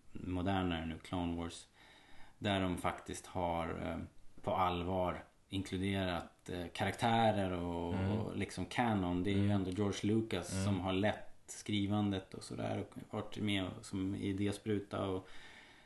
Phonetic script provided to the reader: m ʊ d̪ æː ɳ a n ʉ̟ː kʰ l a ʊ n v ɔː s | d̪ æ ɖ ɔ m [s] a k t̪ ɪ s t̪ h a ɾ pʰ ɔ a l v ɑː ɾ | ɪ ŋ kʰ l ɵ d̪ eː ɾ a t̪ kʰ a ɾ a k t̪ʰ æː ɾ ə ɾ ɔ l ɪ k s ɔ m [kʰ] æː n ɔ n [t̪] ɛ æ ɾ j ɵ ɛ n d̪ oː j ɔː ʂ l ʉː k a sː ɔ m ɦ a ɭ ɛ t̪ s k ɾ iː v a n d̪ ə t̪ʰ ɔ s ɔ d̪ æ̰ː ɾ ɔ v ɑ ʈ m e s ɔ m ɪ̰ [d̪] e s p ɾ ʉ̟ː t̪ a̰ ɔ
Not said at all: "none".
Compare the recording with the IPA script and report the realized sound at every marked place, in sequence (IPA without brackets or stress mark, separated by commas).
f, kʰ, d̪, d̪